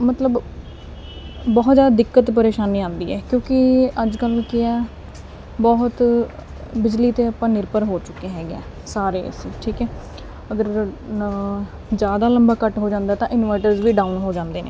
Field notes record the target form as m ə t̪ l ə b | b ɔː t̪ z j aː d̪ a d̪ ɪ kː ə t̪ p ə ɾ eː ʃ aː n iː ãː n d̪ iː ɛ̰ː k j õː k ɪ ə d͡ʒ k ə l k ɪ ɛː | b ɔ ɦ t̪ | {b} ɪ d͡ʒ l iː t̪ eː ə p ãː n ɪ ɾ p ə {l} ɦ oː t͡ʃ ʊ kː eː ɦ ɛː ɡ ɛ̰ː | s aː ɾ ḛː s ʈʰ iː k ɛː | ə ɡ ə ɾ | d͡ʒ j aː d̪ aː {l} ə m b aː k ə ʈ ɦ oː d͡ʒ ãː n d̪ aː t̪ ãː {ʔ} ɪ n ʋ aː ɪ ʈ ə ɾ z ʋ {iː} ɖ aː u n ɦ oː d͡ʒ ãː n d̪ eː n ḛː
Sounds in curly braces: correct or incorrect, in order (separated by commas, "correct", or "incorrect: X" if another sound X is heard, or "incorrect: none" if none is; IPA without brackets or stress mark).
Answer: correct, incorrect: ɾ, correct, correct, correct